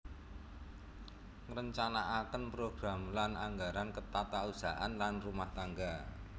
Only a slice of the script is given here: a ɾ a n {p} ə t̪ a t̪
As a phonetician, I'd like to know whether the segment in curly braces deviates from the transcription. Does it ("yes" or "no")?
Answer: yes